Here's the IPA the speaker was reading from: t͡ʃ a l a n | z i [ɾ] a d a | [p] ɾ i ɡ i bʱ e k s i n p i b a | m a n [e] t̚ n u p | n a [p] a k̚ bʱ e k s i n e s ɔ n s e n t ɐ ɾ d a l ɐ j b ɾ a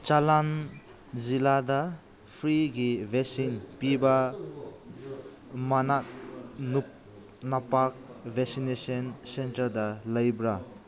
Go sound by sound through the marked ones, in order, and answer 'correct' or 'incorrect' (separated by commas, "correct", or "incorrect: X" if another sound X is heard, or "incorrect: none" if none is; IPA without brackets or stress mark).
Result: incorrect: l, incorrect: pʰ, incorrect: a, correct